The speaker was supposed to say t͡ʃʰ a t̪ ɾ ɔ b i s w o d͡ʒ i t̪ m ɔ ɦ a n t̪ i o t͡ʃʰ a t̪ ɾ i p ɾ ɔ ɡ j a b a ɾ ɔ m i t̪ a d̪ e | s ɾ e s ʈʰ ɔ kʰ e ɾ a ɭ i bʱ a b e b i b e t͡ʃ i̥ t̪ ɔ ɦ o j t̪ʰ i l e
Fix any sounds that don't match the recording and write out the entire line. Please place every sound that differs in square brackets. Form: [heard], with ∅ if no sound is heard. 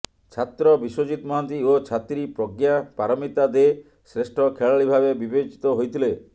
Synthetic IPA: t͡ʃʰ a t̪ ɾ ɔ b i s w o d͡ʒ i t̪ m ɔ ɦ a n t̪ i o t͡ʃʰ a t̪ ɾ i p ɾ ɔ ɡ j a [p] a ɾ ɔ m i t̪ a d̪ e | s ɾ e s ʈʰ ɔ kʰ e [ɭ] a ɭ i bʱ a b e b i b e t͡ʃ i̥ t̪ ɔ ɦ o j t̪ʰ i l e